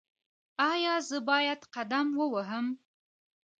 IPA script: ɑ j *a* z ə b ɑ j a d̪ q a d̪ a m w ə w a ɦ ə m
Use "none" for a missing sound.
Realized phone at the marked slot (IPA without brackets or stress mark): ɑ